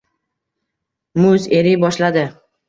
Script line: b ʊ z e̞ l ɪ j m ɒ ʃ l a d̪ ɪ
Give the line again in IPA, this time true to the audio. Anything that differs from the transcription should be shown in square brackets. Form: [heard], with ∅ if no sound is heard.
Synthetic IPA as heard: [m] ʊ z e̞ [ɾ] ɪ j [b] ɒ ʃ l a d̪ ɪ